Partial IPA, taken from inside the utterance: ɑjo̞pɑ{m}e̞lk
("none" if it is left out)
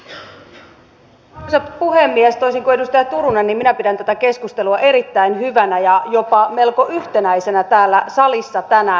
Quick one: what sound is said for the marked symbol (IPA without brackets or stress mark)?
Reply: m